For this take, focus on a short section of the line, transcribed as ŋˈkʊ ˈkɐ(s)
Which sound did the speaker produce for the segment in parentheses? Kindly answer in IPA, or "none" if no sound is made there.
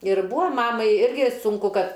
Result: t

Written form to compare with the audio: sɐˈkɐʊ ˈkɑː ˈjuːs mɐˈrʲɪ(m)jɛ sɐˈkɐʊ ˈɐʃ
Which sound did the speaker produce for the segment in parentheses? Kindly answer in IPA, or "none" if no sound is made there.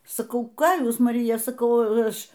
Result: none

